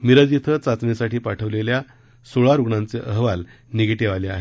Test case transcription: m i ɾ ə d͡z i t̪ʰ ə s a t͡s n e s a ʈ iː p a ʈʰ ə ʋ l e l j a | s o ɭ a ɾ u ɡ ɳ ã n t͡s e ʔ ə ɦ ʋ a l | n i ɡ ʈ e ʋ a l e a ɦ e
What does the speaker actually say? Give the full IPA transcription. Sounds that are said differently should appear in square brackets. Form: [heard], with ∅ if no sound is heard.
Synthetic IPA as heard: m i ɾ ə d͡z i t̪ʰ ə [t͡s] a t͡s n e s a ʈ iː p a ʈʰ ə ʋ l e l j a | s o ɭ a ɾ u ɡ ɳ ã n t͡s e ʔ ə ɦ ʋ a l | n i ɡ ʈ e ʋ a l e a ɦ e